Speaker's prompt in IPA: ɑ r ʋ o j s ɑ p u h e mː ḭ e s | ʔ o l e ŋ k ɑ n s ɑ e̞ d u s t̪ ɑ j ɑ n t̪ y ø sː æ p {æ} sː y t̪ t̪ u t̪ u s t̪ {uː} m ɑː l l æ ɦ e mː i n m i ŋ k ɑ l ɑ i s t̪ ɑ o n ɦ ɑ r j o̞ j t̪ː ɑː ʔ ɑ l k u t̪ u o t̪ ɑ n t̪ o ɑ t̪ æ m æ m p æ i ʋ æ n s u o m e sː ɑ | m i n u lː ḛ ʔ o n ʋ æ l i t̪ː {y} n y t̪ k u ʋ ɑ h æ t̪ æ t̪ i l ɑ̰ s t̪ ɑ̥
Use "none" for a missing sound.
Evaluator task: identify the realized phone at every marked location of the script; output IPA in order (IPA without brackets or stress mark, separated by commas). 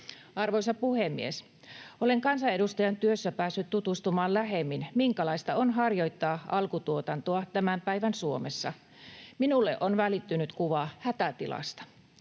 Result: æː, u, y